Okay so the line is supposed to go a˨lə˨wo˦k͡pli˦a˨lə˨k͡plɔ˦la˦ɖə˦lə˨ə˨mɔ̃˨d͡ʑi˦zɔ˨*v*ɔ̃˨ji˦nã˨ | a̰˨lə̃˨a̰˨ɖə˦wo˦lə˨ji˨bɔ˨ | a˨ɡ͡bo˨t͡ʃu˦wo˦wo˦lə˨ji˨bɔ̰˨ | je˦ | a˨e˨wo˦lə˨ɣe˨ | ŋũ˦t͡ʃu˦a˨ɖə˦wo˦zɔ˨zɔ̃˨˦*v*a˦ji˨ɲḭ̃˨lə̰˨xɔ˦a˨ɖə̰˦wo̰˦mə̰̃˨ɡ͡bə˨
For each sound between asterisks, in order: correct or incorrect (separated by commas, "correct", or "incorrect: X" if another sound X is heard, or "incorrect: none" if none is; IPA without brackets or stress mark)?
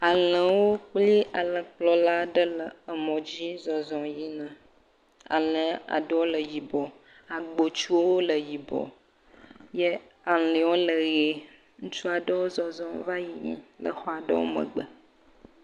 incorrect: z, correct